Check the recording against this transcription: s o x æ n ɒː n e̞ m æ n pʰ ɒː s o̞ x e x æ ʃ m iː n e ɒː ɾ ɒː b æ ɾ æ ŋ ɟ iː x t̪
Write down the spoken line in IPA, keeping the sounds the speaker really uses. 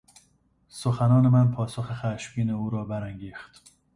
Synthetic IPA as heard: s o x æ n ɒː n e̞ m æ n pʰ ɒː s o̞ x e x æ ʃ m iː n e uː ɾ ɒː b æ ɾ æ ŋ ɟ iː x t̪